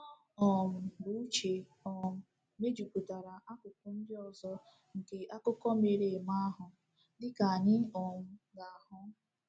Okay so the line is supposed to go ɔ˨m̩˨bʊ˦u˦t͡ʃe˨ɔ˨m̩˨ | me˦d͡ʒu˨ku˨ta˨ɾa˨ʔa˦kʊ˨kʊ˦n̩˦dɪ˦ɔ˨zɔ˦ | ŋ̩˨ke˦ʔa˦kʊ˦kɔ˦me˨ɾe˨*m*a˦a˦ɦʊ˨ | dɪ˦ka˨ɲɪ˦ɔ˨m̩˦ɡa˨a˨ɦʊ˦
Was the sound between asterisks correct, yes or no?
yes